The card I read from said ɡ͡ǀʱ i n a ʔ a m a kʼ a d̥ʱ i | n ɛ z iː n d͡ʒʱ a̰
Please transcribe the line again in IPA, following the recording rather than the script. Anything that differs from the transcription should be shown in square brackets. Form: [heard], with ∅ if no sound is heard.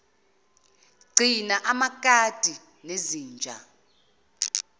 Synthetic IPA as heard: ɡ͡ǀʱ i n a ʔ a m a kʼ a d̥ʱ i | n [e] z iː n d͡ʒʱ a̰